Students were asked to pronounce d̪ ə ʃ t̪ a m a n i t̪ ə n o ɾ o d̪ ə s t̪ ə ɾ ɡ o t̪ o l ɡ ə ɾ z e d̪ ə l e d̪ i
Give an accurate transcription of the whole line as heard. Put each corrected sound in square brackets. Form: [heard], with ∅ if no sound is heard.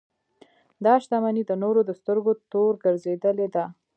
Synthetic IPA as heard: d̪ [ɑ] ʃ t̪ a m a n i [d̪] ə n o ɾ o d̪ ə s t̪ ə ɾ ɡ o t̪ o [ɾ] ɡ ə ɾ z e d̪ ə l e d̪ [a]